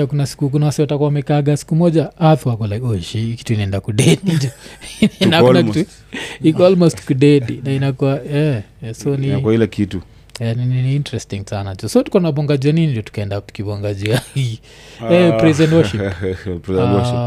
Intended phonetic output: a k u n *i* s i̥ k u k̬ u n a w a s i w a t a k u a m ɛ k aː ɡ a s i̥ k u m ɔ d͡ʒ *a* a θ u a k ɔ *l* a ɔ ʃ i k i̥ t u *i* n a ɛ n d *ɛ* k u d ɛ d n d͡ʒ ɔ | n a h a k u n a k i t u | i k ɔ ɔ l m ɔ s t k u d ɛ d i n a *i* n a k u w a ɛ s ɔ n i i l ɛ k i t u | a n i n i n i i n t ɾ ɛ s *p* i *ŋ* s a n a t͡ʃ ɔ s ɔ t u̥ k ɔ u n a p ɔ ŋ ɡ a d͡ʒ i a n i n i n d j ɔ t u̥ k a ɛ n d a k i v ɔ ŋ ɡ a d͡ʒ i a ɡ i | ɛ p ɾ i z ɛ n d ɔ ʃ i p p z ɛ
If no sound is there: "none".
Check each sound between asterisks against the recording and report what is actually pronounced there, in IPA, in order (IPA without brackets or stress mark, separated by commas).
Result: a, a, l, i, a, i, t, ŋ